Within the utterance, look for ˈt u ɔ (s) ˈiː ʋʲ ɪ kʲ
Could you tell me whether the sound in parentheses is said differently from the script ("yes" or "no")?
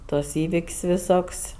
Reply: no